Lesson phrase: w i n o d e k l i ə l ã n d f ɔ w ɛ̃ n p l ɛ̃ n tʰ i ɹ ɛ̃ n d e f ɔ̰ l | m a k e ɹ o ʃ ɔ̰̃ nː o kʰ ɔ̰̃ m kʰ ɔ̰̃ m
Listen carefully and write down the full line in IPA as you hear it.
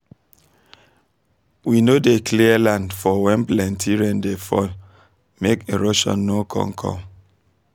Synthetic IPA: w i n o d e k l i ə l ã n d f ɔ w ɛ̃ n p l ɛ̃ n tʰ i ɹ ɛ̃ n d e f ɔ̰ l | m e k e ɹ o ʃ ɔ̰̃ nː o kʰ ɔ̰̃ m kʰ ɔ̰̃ m